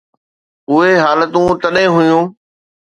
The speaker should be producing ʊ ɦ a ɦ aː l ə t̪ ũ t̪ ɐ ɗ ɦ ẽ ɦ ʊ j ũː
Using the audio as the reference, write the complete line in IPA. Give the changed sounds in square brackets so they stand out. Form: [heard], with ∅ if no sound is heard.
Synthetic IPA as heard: ʊ ɦ [e] ɦ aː l ə t̪ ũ t̪ ɐ ɗ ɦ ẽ ɦ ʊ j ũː